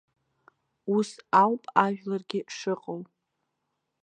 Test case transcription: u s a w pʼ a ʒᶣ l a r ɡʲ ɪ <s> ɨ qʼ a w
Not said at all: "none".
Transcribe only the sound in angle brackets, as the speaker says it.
ʂ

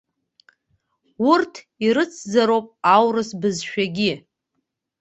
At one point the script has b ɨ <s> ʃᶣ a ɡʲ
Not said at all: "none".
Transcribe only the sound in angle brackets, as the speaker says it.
z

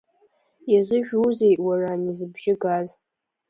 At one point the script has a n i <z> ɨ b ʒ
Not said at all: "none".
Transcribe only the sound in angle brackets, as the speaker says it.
z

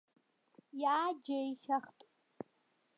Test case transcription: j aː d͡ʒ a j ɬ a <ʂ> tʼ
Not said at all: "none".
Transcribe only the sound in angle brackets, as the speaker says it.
χ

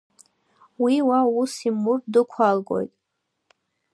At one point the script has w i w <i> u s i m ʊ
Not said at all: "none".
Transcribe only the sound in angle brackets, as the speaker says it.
a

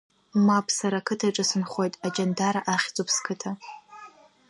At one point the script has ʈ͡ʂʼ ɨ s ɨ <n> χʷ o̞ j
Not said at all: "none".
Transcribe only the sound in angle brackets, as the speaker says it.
n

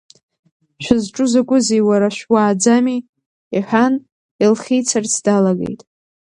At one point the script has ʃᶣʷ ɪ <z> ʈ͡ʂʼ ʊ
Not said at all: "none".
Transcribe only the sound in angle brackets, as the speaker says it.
z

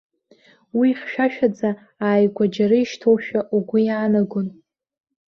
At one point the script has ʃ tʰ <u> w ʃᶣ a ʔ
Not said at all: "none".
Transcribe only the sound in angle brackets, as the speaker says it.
o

